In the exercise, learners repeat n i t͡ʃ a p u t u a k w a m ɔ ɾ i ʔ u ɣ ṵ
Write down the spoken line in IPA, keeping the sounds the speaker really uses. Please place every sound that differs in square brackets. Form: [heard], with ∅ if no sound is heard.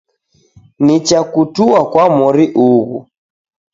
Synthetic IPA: n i t͡ʃ a [k] u t u a k w a m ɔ ɾ i ʔ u ɣ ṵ

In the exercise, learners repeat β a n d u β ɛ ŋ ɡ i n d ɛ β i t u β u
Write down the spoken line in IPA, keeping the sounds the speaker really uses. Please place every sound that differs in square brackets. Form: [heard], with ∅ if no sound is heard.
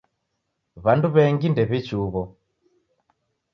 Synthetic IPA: β a n d u β ɛ ŋ ɡ i n d ɛ β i [t͡ʃ] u β [ɔ]

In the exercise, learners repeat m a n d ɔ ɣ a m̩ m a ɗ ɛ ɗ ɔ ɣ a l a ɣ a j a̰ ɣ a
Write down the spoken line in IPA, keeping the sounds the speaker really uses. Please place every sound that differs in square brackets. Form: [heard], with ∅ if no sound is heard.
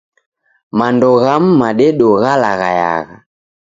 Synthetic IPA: m a n d ɔ ɣ a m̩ m a ɗ ɛ ɗ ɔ ɣ a l a ɣ a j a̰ ɣ a

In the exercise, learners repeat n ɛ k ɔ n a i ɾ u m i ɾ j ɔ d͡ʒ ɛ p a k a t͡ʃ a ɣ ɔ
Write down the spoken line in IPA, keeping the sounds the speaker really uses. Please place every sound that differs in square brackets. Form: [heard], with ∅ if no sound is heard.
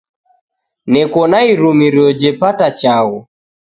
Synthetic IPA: n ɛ k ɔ n a i ɾ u m i ɾ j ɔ d͡ʒ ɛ p a [t] a t͡ʃ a ɣ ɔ

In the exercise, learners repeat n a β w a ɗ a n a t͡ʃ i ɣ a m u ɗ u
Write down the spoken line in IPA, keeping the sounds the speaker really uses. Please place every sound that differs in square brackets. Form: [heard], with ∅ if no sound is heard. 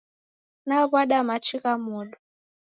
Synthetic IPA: n a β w a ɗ a [m] a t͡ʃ i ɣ a m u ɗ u

